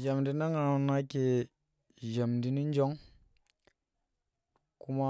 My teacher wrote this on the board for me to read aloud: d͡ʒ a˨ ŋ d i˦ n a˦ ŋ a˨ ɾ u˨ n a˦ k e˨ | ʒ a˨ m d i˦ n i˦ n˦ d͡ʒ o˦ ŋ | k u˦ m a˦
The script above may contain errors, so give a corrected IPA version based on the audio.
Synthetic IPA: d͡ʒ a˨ m d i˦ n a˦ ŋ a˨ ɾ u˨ n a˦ k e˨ | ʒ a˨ m d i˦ n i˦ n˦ d͡ʒ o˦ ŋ | k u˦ m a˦